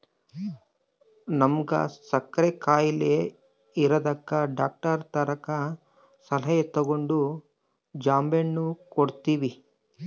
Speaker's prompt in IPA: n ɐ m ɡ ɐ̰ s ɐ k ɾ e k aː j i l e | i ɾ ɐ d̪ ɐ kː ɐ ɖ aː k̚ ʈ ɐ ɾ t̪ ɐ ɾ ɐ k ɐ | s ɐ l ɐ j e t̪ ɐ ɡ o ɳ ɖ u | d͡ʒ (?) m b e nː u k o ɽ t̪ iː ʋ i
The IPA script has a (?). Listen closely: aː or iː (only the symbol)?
aː